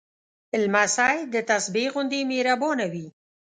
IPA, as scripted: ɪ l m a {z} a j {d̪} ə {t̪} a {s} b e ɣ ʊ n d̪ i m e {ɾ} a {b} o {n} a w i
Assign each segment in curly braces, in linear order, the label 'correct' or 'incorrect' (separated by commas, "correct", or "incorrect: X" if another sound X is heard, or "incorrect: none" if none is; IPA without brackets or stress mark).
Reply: incorrect: s, correct, correct, correct, correct, correct, correct